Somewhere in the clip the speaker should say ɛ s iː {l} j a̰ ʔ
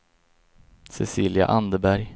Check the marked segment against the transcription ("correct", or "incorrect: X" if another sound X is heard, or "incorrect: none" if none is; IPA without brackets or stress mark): correct